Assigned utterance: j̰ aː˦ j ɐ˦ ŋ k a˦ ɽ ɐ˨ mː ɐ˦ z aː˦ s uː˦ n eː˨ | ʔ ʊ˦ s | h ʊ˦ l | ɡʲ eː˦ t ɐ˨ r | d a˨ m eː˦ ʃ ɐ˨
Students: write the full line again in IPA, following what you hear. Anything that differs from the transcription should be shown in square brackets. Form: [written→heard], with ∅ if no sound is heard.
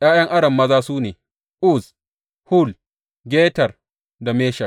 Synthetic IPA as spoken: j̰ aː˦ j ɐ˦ ŋ [k→ʔ] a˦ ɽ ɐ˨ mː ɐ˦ z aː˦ s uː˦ n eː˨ | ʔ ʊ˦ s | h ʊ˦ l | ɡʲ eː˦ t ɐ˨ r | d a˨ m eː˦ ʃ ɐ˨

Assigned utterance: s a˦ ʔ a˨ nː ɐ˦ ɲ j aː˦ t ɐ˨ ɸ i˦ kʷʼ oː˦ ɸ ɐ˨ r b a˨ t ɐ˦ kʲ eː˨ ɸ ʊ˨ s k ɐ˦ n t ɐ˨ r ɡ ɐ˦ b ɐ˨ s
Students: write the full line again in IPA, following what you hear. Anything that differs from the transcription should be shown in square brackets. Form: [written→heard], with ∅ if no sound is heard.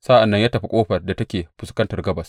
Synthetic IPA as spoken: s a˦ ʔ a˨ nː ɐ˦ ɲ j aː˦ t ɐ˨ ɸ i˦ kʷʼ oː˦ ɸ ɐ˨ r [b→d] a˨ t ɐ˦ kʲ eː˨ ɸ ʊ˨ s k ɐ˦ n t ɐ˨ r ɡ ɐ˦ b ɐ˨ s

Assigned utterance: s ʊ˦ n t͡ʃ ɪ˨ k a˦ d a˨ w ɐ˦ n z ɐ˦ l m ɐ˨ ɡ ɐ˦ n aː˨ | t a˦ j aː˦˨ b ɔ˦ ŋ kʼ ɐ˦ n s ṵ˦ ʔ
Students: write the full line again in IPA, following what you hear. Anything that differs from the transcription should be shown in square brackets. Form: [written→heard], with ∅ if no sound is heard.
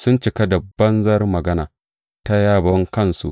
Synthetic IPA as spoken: s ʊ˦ n t͡ʃ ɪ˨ k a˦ d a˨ [w→b] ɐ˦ n z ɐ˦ [l→r] m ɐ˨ ɡ ɐ˦ n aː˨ | t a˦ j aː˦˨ b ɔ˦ ŋ [kʼ→k] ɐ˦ n s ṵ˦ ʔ

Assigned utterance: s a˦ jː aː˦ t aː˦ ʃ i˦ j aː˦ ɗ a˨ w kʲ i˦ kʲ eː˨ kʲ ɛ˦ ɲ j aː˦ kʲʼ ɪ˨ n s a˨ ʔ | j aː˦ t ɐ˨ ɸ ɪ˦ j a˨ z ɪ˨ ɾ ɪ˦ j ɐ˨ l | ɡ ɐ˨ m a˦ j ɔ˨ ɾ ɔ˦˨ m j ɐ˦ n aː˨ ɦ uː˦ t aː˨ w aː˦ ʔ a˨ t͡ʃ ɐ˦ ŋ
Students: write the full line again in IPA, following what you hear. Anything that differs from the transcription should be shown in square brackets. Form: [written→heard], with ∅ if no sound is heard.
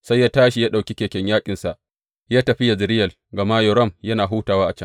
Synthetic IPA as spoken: s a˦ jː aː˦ t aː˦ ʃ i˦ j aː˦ ɗ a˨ w kʲ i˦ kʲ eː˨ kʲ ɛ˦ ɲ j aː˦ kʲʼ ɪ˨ n s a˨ ʔ | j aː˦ t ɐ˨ ɸ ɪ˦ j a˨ z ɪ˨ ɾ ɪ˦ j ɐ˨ l | ɡ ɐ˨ m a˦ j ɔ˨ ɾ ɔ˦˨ m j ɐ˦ n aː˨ ɦ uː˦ t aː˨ w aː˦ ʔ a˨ t͡ʃ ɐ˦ ŋ

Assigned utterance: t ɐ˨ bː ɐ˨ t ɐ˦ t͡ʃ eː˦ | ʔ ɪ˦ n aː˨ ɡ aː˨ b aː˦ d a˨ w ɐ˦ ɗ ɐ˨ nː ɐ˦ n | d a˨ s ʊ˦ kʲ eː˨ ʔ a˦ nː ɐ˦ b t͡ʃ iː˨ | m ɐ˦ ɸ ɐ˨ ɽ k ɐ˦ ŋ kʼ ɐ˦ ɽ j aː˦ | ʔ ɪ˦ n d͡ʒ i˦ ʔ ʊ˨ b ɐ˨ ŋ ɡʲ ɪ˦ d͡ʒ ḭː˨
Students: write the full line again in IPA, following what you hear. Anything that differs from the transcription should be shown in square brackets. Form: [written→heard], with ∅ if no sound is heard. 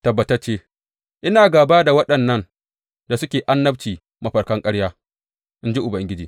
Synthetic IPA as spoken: t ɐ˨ bː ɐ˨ t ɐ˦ t͡ʃ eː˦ | ʔ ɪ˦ n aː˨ ɡ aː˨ b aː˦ d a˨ w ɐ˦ ɗ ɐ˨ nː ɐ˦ n | d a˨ s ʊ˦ kʲ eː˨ ʔ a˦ nː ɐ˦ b t͡ʃ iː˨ | m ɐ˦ ɸ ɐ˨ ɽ k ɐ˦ ŋ kʼ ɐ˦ ɽ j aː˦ | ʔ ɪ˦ n d͡ʒ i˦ ʔ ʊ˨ b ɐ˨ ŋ ɡʲ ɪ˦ d͡ʒ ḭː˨

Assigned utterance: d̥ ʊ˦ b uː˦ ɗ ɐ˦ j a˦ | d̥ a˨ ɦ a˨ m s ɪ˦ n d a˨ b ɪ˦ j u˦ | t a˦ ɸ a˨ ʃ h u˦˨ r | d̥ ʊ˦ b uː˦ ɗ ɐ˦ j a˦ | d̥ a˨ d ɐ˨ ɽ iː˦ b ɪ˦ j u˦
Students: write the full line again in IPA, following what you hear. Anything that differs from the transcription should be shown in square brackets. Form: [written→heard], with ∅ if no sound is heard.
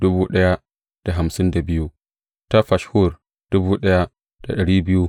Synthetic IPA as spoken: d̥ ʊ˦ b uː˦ ɗ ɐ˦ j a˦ | d̥ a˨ ɦ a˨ m s ɪ˦ n d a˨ b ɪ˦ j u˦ | t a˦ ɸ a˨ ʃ h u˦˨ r | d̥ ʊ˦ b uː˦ ɗ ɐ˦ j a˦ | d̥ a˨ [d→ɗ] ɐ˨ ɽ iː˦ b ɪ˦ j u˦

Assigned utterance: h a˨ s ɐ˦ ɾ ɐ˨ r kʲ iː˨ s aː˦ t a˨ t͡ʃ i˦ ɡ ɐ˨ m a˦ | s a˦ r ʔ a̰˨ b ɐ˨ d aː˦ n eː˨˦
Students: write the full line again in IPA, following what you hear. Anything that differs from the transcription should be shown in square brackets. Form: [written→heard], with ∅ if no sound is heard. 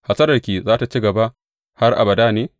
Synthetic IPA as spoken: h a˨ s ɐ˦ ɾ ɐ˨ r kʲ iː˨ [s→z] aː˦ t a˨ t͡ʃ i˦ ɡ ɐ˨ [m→b] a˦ | [s→h] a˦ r ʔ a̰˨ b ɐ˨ d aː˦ n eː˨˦

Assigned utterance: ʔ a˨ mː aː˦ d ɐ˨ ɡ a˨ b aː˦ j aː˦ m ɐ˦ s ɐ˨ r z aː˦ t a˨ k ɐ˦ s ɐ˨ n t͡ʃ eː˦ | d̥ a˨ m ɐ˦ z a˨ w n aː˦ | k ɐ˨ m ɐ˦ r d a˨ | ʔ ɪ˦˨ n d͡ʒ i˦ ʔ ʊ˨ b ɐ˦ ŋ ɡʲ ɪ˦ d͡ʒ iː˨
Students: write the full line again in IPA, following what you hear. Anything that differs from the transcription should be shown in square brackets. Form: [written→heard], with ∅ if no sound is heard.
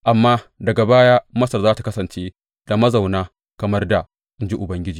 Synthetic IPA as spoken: ʔ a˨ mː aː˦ d ɐ˨ ɡ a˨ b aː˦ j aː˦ m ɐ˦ s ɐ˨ r z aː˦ t a˨ k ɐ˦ s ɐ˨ n t͡ʃ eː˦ | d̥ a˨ m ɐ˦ z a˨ w n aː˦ | k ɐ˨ m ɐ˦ r d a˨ | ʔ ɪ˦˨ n d͡ʒ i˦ ʔ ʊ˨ b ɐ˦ ŋ ɡʲ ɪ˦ d͡ʒ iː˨

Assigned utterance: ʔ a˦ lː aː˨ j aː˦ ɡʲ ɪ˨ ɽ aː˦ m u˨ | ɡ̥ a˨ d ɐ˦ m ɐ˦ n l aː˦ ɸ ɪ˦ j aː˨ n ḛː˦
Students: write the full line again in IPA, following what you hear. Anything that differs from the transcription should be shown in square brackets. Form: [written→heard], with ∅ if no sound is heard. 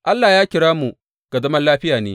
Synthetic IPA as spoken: ʔ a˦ lː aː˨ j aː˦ [ɡʲ→kʲ] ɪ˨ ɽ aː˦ m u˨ | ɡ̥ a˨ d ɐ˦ m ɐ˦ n l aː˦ ɸ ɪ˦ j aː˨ n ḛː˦

